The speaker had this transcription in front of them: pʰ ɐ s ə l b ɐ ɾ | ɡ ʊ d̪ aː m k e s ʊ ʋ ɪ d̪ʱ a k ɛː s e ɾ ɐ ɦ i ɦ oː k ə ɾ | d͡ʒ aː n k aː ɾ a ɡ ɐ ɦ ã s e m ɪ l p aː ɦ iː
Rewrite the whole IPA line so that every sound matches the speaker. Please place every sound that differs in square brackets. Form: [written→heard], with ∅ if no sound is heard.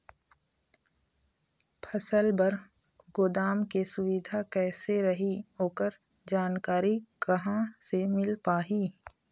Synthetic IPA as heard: pʰ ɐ s ə l b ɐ ɾ | ɡ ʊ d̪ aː m k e s ʊ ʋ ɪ d̪ʱ a k ɛː s e ɾ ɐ ɦ i ɦ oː k ə ɾ | d͡ʒ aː n k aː ɾ [a→i] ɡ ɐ ɦ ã s e m ɪ l p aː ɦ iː

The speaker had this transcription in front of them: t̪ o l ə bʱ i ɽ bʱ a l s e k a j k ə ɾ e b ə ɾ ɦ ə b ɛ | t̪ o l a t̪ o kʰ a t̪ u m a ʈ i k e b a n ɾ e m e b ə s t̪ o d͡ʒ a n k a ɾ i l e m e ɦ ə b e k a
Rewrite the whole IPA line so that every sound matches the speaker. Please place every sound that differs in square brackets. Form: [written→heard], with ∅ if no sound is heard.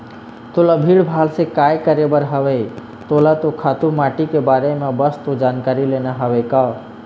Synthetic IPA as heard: t̪ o l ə bʱ i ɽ bʱ a l s e k a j k ə ɾ e b ə ɾ ɦ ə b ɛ | t̪ o l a t̪ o kʰ a t̪ u m a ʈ i k e b a [n→∅] ɾ e m e b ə s t̪ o d͡ʒ a n k a ɾ i l e [m→n] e ɦ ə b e k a

